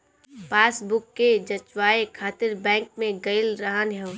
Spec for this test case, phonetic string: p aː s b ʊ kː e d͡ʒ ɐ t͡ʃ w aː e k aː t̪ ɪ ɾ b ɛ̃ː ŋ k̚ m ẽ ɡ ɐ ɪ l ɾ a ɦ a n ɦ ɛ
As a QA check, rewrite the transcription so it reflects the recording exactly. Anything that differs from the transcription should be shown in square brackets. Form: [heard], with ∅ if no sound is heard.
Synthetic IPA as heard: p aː s b ʊ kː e d͡ʒ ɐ t͡ʃ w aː e [kʰ] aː t̪ ɪ ɾ b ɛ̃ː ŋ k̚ m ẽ ɡ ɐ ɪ l ɾ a ɦ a n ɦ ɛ